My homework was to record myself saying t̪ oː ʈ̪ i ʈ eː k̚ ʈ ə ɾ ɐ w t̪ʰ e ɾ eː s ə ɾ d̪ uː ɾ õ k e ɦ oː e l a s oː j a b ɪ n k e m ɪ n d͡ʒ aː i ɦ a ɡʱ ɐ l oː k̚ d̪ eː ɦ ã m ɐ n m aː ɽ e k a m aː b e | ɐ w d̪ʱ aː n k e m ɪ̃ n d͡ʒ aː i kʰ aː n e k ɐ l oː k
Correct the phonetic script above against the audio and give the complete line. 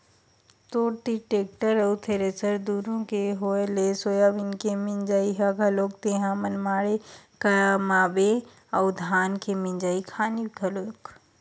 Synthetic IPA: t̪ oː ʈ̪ i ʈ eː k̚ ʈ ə ɾ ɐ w t̪ʰ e ɾ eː s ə ɾ d̪ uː ɾ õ k e ɦ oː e l e s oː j a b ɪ n k e m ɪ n d͡ʒ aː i ɦ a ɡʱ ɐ l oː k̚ t̪ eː ɦ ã m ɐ n m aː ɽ e k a m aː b e | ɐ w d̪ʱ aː n k e m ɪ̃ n d͡ʒ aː i kʰ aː n i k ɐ l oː k